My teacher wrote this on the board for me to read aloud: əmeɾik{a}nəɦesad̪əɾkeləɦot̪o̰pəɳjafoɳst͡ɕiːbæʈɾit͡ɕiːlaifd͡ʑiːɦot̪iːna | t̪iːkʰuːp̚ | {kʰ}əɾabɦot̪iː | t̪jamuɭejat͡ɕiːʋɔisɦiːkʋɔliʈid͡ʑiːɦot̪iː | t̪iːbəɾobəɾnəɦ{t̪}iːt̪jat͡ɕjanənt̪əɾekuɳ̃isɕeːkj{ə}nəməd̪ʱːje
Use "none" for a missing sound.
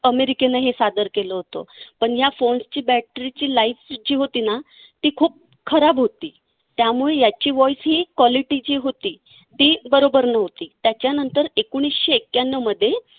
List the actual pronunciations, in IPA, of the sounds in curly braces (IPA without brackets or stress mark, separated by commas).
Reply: e, kʰ, t̪, a